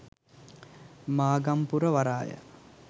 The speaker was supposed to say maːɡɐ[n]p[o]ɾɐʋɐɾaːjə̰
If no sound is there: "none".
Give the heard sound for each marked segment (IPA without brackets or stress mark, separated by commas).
m, u